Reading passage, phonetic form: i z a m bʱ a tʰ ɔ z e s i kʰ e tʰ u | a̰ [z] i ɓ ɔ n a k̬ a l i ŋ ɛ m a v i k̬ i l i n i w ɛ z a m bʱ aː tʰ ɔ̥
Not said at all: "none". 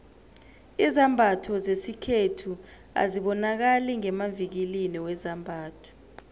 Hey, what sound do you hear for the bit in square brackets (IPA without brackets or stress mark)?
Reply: z